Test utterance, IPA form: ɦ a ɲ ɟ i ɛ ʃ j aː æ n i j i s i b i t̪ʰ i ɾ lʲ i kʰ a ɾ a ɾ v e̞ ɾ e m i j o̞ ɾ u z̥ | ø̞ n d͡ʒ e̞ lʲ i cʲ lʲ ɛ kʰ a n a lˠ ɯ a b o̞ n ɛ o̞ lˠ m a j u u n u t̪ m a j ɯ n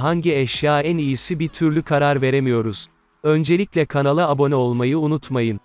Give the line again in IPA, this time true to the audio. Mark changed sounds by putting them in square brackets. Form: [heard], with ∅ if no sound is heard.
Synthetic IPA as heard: ɦ a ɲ ɟ i ɛ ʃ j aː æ n i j i s i b i t̪ʰ [y] ɾ lʲ [y] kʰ a ɾ a ɾ v e̞ ɾ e m i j o̞ ɾ u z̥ | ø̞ n d͡ʒ e̞ lʲ i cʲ lʲ ɛ kʰ a n a lˠ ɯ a b o̞ n ɛ o̞ lˠ m a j [ɯ] u n u t̪ m a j ɯ n